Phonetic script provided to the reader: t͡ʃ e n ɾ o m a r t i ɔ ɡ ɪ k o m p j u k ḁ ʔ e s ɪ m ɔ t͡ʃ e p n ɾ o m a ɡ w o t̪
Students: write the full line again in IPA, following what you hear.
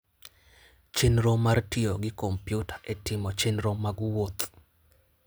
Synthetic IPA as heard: t͡ʃ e n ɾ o m a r t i o ɡ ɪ k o m p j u t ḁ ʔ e t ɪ m ɔ t͡ʃ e n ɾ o m a ɡ w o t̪